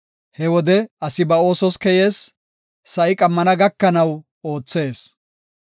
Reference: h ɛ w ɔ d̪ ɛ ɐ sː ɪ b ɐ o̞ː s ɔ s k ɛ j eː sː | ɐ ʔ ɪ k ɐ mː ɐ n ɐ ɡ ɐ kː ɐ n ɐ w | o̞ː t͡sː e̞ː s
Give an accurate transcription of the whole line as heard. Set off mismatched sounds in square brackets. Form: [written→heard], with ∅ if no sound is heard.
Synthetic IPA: h ɛ w ɔ d̪ ɛ ɐ [sː→s] ɪ b ɐ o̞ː s ɔ s k ɛ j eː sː | ɐ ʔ ɪ [k→kʼ] ɐ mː ɐ n ɐ ɡ ɐ kː ɐ n ɐ w | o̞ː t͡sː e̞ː s